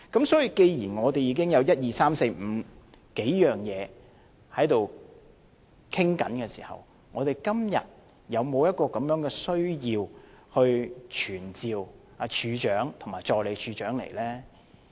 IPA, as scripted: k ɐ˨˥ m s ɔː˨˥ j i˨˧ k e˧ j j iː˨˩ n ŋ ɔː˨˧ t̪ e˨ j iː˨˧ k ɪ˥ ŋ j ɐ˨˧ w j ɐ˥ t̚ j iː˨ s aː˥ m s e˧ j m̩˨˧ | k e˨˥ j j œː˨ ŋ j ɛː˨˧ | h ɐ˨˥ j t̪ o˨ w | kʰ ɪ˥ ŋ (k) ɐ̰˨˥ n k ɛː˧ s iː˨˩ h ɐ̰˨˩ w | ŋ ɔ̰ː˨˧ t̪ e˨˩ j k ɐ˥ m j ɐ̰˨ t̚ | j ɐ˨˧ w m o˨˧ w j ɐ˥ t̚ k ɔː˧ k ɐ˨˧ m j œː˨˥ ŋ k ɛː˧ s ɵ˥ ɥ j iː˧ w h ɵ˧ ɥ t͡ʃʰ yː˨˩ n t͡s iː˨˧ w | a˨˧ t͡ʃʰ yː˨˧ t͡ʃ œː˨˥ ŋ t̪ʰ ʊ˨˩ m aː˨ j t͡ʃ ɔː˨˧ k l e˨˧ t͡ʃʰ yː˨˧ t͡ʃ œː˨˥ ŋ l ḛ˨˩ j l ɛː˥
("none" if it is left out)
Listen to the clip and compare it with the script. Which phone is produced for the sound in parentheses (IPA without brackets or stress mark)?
k